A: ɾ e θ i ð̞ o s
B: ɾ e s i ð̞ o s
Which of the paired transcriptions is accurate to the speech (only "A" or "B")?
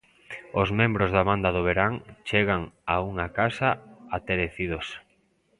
A